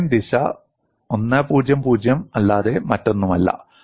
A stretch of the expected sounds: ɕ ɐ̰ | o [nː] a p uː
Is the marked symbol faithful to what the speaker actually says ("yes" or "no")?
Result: yes